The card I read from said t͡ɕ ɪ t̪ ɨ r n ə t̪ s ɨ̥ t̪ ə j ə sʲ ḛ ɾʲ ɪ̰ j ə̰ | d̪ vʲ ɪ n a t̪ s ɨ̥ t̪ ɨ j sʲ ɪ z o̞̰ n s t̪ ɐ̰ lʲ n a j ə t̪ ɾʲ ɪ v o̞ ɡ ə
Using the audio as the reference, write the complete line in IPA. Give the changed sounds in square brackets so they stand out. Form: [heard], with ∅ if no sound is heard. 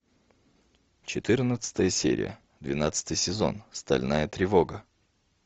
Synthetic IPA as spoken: t͡ɕ ɪ t̪ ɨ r n ə t̪ s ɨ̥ t̪ ə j ə sʲ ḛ ɾʲ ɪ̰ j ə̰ | d̪ vʲ ɪ n a t̪ s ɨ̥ t̪ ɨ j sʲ ɪ z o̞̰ n s t̪ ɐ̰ lʲ n a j ə t̪ ɾʲ ɪ v o̞ ɡ ə